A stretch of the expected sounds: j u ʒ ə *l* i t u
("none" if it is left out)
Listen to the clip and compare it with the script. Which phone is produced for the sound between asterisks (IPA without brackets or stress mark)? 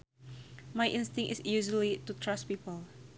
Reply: l